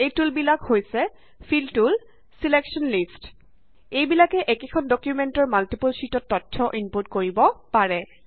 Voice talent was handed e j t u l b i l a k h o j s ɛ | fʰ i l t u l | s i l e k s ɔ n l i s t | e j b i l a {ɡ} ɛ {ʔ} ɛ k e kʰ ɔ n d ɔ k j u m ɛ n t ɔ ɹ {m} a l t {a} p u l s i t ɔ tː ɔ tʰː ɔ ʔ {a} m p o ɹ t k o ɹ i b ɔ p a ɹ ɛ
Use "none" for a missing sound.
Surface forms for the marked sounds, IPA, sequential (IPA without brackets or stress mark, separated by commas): k, ʔ, m, i, i